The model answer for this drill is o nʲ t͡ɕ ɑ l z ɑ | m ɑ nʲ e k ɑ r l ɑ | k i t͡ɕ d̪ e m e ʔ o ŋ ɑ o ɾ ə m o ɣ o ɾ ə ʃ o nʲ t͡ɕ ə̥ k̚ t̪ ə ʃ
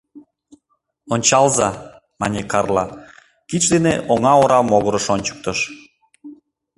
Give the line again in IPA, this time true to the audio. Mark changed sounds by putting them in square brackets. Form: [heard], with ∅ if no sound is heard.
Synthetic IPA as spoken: o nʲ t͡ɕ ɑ l z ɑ | m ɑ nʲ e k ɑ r l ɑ | k i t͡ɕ d̪ e [n] e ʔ o ŋ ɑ o ɾ [ɑ] m o ɣ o ɾ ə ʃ o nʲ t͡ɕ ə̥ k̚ t̪ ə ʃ